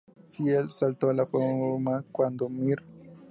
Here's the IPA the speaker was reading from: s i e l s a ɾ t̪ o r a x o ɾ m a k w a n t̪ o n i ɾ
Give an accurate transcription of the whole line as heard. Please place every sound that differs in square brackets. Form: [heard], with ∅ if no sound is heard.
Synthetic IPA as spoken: [f] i e l s a [l] t̪ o [l] a [f] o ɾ m a k w a n [d̪] o [m] i ɾ